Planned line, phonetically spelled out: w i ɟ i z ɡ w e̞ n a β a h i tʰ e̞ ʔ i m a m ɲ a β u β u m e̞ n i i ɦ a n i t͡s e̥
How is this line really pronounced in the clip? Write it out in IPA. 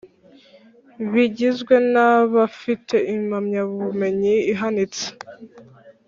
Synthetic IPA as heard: β i ɟ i z ɡ w e̞ n a β a f i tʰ e̞ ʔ i m a m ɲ a β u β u m e̞ ɲ i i ɦ a n i t͡s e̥